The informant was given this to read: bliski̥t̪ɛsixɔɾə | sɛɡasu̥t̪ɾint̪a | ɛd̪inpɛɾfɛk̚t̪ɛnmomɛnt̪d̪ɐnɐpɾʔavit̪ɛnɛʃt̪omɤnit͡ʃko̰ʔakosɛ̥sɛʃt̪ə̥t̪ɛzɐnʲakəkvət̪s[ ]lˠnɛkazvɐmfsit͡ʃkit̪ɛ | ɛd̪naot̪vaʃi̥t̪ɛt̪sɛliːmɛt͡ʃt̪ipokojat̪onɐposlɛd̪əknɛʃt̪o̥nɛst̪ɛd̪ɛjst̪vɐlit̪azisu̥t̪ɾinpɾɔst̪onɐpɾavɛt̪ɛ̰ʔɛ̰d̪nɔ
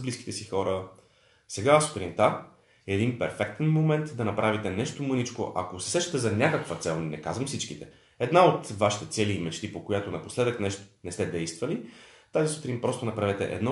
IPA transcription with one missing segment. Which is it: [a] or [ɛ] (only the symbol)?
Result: ɛ